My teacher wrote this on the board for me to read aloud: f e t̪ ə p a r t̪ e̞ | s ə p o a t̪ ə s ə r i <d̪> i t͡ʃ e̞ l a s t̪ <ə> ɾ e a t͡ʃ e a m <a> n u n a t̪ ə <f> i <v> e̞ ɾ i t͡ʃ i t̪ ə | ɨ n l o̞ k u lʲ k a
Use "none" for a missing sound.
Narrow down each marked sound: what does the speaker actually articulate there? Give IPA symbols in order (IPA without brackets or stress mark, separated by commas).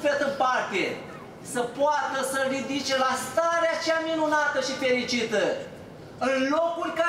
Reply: d̪, a, i, ʃ, f